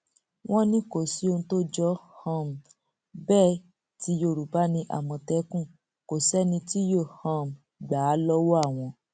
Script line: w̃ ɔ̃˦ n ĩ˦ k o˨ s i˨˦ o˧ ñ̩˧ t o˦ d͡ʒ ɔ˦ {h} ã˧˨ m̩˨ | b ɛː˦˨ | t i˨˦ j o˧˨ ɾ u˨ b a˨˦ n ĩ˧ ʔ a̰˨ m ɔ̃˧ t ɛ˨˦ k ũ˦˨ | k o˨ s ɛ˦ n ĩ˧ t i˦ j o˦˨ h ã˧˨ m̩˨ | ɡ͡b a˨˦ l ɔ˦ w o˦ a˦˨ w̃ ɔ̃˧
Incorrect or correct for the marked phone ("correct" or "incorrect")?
correct